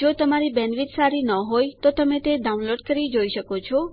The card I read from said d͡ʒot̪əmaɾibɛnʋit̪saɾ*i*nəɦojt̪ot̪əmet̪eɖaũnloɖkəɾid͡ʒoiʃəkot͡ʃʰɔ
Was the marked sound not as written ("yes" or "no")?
no